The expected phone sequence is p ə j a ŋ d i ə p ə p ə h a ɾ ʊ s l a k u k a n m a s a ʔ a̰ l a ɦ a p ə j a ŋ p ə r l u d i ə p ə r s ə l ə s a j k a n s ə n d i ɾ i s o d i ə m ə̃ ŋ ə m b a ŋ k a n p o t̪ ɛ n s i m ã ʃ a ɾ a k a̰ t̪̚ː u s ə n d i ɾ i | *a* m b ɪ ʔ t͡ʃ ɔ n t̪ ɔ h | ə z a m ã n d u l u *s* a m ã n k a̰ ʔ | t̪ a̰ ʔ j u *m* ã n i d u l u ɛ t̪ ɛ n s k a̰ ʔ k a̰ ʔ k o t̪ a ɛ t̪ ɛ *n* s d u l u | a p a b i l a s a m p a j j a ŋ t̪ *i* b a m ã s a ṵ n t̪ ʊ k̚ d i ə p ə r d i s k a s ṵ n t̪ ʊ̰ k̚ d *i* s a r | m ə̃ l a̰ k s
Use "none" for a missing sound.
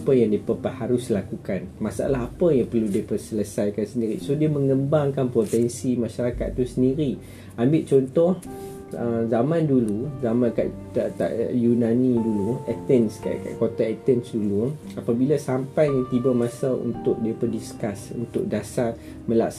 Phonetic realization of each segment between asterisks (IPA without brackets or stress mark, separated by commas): a, z, n, n, i, a